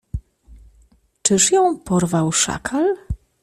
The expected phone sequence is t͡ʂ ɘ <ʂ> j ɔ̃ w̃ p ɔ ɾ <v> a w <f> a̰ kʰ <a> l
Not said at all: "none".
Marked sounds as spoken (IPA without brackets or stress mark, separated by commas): ʂ, v, ʂ, a